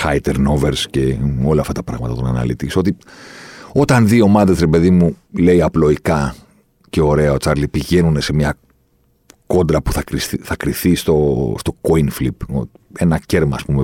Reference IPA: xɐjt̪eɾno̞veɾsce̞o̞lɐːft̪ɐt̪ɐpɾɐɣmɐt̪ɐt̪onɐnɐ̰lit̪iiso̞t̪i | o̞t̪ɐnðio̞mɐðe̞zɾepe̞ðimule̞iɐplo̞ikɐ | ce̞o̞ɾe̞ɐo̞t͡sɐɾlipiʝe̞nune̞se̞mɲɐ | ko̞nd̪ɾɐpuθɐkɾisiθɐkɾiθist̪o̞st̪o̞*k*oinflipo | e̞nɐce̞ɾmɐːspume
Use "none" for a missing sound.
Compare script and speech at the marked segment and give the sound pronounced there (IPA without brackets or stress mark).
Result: k